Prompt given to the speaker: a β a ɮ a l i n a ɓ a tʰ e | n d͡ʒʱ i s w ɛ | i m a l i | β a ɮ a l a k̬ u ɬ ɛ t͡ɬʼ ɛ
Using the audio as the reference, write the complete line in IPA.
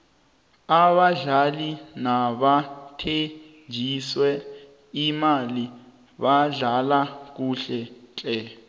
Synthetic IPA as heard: a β a ɮ a l i n a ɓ a tʰ e | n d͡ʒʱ i s w ɛ | i m a l i | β a ɮ a l a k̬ u ɬ ɛ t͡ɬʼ ɛ